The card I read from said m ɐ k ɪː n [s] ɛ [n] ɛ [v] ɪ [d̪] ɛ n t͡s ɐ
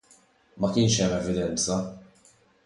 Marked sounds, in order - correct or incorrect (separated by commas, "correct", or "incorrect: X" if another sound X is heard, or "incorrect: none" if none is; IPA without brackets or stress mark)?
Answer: incorrect: ʃ, incorrect: m, correct, correct